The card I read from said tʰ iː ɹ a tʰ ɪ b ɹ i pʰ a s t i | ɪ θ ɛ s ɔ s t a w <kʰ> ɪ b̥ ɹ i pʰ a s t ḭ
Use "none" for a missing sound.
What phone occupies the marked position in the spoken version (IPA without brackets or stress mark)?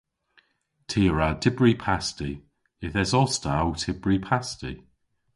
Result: tʰ